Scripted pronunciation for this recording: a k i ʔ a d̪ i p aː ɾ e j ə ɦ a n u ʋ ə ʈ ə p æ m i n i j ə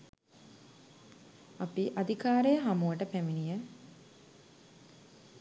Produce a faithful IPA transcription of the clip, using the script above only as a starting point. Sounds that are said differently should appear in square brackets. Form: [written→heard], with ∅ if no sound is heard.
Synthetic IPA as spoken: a [k→p] i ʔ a d̪ i [p→k] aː ɾ e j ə ɦ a [n→m] u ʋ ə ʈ ə p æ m i n i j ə